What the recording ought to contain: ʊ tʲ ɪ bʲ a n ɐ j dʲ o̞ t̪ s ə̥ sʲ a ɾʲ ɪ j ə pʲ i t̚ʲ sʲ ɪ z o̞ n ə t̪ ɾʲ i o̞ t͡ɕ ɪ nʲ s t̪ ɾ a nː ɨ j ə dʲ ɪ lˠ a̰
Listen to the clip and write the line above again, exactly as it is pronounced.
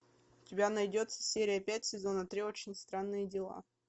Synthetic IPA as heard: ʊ tʲ ɪ bʲ a n ɐ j dʲ o̞ t̪ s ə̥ sʲ e ɾʲ ɪ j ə pʲ æ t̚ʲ sʲ ɪ z o̞ n ə t̪ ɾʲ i o̞ t͡ɕ ɪ nʲ s t̪ ɾ a nː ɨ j ə dʲ ɪ lˠ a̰